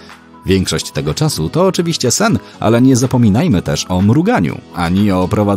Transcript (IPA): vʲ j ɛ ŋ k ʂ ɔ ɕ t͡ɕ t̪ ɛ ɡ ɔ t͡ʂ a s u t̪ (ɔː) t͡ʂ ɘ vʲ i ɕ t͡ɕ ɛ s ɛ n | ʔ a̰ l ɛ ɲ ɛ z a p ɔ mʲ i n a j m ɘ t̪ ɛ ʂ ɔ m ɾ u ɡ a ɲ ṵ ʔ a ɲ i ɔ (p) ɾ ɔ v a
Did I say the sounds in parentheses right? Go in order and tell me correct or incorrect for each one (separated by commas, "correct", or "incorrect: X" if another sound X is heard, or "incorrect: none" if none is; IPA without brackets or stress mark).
correct, correct